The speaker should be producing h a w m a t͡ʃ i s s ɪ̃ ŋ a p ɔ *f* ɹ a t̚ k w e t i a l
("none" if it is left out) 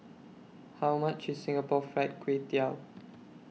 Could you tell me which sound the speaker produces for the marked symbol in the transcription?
f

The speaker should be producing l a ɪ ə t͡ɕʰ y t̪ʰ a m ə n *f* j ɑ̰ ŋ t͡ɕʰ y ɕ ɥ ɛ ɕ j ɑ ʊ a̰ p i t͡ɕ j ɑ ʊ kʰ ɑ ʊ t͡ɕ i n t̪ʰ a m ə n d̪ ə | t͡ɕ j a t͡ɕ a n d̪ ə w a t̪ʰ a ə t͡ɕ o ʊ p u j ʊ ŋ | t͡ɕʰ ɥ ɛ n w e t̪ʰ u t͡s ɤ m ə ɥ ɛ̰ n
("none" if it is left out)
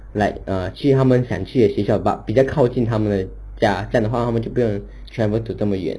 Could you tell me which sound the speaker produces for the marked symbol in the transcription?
ɕ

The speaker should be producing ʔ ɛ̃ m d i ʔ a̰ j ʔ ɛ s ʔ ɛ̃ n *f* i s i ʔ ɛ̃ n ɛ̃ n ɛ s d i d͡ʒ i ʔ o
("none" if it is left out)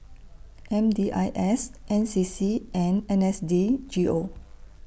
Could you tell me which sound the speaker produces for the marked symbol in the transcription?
s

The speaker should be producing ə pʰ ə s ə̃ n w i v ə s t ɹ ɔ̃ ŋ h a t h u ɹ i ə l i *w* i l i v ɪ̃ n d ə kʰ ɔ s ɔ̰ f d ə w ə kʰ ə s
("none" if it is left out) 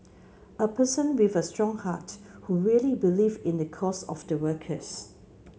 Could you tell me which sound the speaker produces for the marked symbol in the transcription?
b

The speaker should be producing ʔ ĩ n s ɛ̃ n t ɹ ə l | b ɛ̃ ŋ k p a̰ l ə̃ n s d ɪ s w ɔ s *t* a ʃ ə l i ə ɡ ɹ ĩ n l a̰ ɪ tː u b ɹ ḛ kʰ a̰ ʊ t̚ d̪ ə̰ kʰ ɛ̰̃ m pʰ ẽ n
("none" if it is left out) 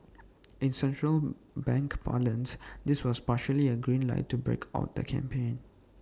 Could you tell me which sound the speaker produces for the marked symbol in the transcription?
p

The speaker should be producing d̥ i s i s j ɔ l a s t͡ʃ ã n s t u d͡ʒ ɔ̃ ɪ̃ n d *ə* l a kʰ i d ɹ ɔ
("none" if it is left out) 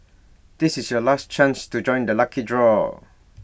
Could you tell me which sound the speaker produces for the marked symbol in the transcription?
ə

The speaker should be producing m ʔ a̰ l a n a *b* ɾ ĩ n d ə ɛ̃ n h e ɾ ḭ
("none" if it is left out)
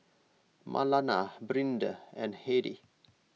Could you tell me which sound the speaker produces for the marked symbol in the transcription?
b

